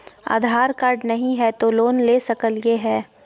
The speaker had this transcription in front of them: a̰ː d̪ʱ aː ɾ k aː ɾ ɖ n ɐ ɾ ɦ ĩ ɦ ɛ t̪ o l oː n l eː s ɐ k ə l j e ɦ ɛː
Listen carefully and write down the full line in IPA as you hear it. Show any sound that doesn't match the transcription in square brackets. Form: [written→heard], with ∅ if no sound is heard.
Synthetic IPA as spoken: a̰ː d̪ʱ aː ɾ k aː ɾ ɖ n ɐ [ɾ→∅] ɦ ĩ ɦ ɛ t̪ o l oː n l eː s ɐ k ə l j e ɦ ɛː

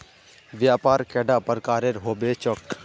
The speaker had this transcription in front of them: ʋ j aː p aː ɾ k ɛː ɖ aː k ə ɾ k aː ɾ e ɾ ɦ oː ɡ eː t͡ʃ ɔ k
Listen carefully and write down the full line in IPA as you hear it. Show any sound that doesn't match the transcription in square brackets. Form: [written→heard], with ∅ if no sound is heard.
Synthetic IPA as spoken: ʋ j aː p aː ɾ k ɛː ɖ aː [k→p] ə ɾ k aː ɾ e ɾ ɦ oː [ɡ→b] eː t͡ʃ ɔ k

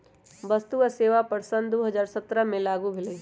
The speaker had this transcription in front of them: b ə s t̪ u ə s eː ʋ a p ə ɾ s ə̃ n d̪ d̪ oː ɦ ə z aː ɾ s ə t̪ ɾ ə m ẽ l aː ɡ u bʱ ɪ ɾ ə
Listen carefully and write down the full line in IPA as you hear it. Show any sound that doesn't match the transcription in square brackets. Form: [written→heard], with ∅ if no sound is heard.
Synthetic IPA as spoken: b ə s t̪ u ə s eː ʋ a p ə ɾ s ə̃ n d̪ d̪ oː ɦ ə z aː ɾ s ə t̪ ɾ ə m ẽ l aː ɡ u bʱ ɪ [ɾ→l] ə

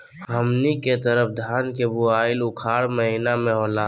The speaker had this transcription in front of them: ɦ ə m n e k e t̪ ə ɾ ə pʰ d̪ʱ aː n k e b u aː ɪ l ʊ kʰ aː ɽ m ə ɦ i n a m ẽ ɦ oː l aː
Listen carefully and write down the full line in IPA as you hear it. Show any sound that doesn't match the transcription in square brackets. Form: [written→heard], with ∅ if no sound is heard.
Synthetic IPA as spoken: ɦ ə m n [e→i] k e t̪ ə ɾ ə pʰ d̪ʱ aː n k e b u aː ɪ l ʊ kʰ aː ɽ m ə ɦ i n a m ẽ ɦ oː l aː

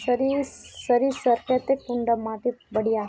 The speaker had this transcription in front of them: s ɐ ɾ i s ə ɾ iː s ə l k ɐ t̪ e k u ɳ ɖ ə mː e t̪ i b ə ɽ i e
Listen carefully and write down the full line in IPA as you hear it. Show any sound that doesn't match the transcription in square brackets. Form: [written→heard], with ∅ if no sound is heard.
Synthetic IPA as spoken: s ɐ ɾ i s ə ɾ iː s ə [l→ɾ] k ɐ t̪ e k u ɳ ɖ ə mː [e→a] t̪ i b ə ɽ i [e→a]

